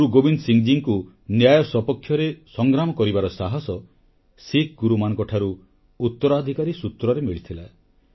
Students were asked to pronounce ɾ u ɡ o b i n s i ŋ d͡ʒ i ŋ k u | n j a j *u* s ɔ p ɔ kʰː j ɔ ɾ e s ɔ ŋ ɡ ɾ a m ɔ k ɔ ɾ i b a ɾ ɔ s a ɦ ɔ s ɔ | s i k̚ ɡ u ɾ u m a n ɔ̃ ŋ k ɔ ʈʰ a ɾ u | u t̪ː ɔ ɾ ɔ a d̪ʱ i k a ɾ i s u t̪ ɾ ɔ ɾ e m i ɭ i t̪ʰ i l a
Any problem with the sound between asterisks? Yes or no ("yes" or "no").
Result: yes